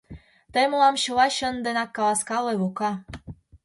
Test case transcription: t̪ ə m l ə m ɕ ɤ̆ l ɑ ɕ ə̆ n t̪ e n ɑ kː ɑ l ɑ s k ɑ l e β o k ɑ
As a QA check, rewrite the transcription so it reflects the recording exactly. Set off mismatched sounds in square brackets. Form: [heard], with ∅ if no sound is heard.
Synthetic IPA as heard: t̪ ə m l [ɑ] m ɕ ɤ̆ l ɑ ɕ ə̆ n [d̪] e n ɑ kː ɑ l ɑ s k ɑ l e β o k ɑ